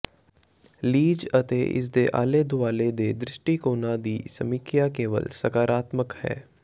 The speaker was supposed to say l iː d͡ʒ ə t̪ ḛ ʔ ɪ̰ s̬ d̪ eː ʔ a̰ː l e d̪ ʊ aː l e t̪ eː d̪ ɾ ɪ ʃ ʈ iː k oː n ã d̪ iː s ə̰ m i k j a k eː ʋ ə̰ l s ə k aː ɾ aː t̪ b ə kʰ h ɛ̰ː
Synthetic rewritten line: l iː d͡ʒ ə t̪ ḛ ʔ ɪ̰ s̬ d̪ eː ʔ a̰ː l e d̪ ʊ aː l e d̪ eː d̪ ɾ ɪ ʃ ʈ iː k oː n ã d̪ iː s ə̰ m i k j a k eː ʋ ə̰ l s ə k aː ɾ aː t̪ m ə k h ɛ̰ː